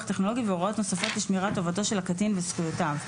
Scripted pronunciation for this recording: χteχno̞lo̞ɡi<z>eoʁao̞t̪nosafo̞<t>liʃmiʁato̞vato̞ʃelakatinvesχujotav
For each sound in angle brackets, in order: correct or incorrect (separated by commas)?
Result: incorrect, correct